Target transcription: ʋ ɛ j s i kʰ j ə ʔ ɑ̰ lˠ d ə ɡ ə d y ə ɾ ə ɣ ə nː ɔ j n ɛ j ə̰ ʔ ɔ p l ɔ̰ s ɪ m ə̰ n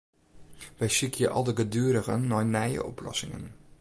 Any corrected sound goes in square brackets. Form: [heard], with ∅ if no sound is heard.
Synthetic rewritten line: ʋ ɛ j s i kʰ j ə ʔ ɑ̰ lˠ d ə ɡ ə d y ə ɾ ə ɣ ə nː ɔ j n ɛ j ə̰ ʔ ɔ p l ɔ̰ s ɪ [ŋ] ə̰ n